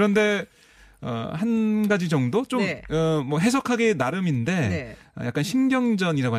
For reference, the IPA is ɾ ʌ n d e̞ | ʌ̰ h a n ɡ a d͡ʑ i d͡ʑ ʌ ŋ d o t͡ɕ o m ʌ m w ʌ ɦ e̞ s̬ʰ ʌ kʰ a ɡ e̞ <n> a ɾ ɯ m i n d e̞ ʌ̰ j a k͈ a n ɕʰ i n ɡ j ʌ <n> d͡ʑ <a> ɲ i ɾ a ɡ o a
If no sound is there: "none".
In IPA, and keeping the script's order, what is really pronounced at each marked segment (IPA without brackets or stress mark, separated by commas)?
n, ŋ, ʌ